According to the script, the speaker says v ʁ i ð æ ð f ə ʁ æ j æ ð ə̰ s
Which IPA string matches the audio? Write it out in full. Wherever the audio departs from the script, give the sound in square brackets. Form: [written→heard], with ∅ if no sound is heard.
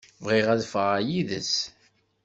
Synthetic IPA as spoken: v ʁ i [ð→ʁ] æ ð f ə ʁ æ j [æ→i] ð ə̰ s